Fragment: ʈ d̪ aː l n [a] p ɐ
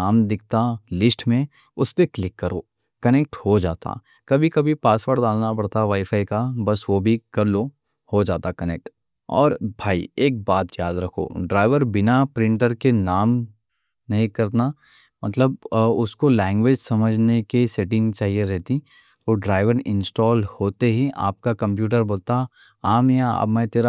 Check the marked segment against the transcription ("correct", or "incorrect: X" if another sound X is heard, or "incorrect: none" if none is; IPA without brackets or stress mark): correct